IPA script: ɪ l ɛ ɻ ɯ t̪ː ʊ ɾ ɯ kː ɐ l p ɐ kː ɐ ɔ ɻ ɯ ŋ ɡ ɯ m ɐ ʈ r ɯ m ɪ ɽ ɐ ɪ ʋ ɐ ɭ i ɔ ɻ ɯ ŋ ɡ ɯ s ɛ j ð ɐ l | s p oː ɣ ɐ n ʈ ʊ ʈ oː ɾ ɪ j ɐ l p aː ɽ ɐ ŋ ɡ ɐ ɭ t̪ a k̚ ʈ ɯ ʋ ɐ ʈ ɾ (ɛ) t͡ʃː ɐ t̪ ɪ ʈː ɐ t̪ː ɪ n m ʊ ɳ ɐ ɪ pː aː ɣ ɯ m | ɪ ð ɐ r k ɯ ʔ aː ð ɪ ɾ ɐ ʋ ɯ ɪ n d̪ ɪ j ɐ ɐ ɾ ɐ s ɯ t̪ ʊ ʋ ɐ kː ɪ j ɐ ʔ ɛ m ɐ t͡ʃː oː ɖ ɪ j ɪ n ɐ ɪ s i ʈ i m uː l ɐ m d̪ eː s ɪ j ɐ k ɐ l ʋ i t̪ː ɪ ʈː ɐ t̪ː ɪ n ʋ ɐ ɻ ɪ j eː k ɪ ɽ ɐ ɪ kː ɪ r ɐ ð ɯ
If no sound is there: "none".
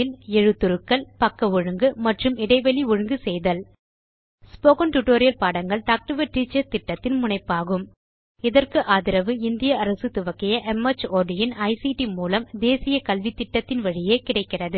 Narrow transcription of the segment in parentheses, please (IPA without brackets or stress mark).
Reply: i